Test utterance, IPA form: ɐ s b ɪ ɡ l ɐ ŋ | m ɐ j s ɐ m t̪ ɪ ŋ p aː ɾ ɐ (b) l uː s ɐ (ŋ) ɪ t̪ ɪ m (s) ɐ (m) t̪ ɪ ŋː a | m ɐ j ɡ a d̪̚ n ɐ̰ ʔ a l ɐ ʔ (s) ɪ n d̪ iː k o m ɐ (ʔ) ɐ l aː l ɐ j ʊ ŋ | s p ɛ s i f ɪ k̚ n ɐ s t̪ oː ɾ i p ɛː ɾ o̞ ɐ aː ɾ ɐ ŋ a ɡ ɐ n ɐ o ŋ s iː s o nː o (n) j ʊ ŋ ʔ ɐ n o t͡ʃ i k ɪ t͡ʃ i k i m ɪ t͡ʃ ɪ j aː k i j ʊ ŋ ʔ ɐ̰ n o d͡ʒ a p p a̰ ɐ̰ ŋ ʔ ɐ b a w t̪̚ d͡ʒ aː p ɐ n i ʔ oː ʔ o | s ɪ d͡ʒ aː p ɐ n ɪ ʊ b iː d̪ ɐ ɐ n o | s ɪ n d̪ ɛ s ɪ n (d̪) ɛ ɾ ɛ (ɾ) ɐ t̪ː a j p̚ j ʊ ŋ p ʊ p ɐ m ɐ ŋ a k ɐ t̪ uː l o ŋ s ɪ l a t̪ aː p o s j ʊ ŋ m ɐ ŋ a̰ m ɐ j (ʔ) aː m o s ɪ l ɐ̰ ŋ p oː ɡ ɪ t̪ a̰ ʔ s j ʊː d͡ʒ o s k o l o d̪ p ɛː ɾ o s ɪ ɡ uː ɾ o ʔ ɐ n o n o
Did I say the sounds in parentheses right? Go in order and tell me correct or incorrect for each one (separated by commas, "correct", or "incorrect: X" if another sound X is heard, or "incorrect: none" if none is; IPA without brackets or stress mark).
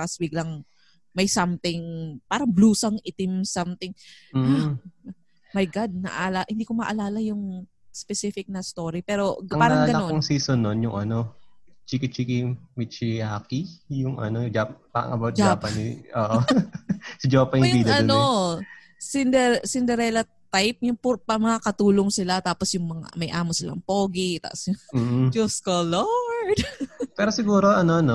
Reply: correct, correct, correct, correct, incorrect: h, correct, correct, correct, incorrect: l, correct